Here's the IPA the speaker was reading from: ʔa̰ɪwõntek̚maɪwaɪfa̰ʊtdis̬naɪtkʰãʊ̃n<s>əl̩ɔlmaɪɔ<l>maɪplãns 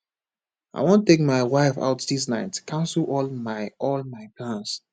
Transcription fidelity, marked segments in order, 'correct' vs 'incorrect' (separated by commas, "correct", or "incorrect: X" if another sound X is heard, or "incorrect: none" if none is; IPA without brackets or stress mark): correct, correct